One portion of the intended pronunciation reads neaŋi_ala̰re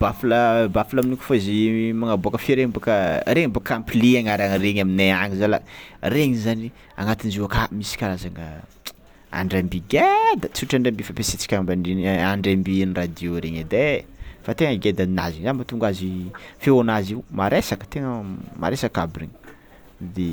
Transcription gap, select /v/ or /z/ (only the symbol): z